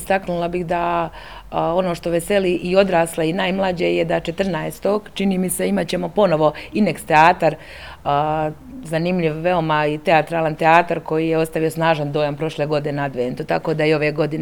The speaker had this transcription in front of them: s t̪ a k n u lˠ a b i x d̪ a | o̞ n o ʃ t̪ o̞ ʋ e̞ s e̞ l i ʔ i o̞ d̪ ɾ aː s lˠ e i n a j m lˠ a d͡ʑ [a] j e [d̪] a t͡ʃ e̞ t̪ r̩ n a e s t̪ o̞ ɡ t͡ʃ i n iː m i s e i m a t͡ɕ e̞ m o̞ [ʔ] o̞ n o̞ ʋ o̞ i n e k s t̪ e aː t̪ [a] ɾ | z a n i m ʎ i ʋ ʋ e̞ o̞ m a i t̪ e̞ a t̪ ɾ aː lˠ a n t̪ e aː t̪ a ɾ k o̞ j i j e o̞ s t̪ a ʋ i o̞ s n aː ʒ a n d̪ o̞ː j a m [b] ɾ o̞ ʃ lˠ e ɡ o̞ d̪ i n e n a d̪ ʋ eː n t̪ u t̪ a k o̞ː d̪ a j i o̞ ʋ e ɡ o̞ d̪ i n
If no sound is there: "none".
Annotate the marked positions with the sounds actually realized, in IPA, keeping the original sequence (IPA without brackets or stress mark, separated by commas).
e, d̪, p, a, p